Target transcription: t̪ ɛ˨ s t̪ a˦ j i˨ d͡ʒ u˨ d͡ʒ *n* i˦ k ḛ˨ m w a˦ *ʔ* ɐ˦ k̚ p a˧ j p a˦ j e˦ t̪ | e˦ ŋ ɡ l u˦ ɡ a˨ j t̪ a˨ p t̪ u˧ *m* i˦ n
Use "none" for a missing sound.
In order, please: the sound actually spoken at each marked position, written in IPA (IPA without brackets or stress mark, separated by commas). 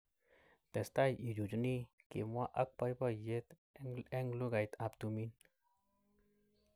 n, ʔ, m